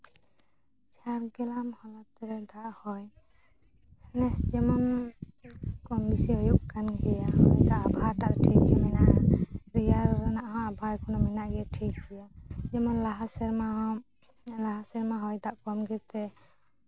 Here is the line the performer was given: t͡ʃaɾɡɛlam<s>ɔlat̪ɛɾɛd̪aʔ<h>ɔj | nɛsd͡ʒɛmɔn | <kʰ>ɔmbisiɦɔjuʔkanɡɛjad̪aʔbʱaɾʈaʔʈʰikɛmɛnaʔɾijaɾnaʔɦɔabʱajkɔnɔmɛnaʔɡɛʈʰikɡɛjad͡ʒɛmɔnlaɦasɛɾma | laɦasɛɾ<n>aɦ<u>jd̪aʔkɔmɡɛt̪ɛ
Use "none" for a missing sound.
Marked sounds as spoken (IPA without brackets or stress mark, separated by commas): h, h, k, m, ɔ